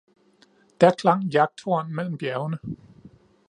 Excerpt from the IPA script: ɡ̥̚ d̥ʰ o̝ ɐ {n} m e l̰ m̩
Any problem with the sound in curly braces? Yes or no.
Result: no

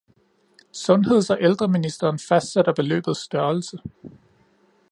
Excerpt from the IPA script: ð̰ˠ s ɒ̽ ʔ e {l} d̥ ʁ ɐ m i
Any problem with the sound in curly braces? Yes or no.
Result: no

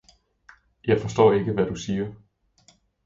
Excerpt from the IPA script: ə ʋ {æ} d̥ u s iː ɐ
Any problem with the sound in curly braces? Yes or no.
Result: no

